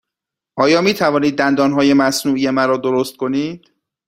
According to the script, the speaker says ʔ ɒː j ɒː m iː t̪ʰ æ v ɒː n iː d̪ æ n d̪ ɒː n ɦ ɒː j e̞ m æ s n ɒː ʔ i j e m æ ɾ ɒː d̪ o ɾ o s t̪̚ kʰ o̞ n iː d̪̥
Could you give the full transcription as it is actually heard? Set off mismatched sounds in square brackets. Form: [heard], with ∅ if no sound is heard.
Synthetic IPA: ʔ ɒː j ɒː m iː t̪ʰ æ v ɒː n iː [d̪ː] æ n d̪ ɒː n ɦ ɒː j e̞ m æ s n [uː] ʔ i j e m æ ɾ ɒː d̪ o ɾ o s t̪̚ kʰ o̞ n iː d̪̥